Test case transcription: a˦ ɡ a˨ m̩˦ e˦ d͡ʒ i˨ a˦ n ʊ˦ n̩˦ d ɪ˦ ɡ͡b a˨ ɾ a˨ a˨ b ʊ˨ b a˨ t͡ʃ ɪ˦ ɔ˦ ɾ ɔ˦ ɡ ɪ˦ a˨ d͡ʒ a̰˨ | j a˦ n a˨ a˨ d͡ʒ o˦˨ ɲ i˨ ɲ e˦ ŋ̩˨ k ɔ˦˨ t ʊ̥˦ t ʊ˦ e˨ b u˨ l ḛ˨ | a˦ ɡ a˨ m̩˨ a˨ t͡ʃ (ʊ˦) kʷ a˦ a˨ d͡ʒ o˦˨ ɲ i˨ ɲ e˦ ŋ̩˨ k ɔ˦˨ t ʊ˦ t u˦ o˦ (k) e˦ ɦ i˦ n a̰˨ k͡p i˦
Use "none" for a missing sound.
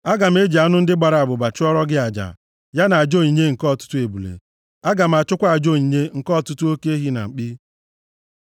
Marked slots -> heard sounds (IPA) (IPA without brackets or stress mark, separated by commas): ʊ˦, k